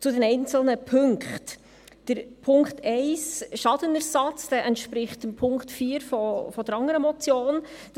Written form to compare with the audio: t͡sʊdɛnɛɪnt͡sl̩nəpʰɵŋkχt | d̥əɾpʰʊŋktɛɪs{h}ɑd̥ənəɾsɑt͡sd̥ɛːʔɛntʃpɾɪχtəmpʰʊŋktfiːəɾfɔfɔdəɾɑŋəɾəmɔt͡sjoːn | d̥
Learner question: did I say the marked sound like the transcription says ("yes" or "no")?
no